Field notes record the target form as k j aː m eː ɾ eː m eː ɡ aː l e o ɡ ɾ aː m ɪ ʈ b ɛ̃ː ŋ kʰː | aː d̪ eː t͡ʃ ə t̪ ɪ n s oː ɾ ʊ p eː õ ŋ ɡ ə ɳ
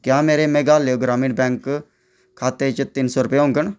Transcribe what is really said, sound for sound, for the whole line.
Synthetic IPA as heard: k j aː m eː ɾ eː m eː ɡ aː l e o ɡ ɾ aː m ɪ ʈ b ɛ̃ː ŋ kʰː | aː t̪ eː t͡ʃ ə t̪ ɪ n s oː ɾ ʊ p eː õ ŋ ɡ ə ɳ